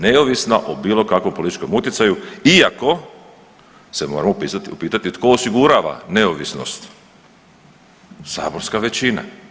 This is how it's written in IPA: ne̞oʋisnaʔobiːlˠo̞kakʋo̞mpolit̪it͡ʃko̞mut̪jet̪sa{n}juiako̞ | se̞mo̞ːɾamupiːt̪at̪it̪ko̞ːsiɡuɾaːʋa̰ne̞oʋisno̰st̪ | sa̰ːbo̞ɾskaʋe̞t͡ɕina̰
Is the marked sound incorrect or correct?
incorrect: none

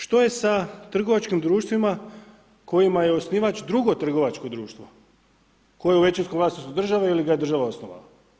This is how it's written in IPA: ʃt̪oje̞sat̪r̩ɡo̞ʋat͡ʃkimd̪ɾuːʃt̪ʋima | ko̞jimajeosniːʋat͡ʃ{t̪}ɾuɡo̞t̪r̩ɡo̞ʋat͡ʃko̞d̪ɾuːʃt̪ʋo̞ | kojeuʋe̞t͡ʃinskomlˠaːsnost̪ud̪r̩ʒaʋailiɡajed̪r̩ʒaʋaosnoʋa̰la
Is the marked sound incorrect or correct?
incorrect: d̪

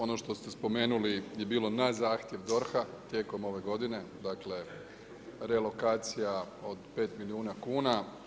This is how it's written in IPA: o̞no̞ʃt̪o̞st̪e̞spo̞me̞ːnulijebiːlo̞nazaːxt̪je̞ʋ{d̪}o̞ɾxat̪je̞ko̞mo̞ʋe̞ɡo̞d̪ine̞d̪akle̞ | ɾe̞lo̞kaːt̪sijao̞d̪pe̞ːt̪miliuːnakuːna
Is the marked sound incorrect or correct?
correct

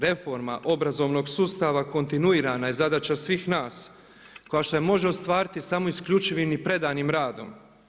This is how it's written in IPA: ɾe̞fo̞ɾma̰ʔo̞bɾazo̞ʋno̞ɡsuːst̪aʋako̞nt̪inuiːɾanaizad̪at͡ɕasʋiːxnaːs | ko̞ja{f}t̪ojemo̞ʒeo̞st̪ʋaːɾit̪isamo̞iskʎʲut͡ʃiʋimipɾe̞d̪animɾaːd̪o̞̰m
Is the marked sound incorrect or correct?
incorrect: ʃ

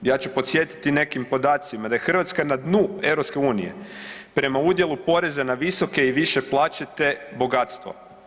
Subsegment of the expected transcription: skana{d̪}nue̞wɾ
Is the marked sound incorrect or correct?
correct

